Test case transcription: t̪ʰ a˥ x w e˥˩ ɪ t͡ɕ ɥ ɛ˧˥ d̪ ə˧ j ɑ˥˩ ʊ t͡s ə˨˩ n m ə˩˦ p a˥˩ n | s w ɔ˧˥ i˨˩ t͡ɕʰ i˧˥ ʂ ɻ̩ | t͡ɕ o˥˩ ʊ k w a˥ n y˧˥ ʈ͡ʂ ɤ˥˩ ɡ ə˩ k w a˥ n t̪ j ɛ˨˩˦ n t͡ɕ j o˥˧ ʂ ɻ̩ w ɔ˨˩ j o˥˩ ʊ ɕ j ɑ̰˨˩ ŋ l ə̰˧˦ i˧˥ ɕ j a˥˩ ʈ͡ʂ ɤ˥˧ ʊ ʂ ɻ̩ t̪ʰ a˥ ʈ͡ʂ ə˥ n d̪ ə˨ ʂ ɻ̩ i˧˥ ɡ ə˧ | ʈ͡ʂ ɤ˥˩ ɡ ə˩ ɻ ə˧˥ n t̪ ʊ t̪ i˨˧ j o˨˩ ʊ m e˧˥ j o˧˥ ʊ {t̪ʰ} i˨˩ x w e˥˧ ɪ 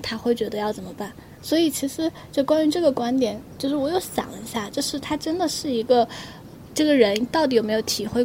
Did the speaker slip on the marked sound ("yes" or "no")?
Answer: no